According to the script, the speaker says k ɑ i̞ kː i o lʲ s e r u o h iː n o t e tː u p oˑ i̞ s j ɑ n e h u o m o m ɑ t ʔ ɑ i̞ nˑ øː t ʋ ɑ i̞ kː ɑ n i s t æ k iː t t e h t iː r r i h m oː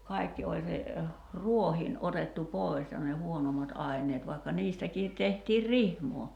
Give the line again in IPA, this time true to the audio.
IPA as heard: k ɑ i̞ kː i o lʲ s e r u o h iː n o t e tː u p oˑ i̞ s j ɑ n e h u o n o m ɑ t ʔ ɑ i̞ nˑ eː t ʋ ɑ i̞ kː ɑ n iː s t æ k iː t t e h t iː r r i h m oː